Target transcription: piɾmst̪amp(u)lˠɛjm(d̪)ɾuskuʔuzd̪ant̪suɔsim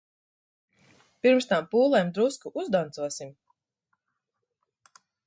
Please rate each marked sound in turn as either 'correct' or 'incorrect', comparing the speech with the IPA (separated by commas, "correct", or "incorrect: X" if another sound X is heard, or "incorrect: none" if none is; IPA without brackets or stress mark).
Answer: incorrect: uː, correct